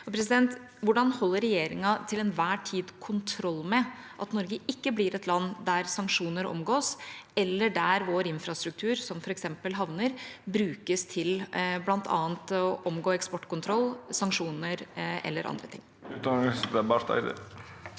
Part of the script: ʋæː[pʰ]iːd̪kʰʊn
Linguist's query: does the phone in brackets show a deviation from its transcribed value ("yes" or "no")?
yes